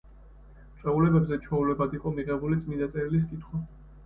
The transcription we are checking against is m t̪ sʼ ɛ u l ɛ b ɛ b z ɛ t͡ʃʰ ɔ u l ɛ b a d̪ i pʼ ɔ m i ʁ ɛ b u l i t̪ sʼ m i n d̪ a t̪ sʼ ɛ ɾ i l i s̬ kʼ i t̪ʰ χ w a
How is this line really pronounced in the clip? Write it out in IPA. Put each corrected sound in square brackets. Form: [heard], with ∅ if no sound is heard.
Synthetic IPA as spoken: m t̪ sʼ ɛ u l ɛ b ɛ b z ɛ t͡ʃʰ ɔ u l ɛ b a d̪ i [qʼ] ɔ m i ʁ ɛ b u l i t̪ sʼ m i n d̪ a t̪ sʼ ɛ ɾ i l i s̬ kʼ i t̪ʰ χ w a